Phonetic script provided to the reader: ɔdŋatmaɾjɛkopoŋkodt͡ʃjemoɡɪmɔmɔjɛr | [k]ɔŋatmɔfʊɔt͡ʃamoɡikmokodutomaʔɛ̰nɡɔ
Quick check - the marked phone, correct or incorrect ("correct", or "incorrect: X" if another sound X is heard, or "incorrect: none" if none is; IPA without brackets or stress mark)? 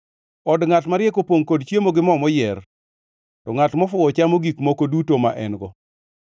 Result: incorrect: t